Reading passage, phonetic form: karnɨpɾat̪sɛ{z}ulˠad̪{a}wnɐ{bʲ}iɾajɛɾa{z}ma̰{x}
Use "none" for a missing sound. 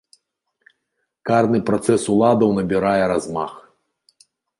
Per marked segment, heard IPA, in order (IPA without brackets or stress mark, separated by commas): s, ɐ, bʲ, z, x